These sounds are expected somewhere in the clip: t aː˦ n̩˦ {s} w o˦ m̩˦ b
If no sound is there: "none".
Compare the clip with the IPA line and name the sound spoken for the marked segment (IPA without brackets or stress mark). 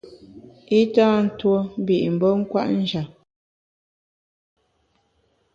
t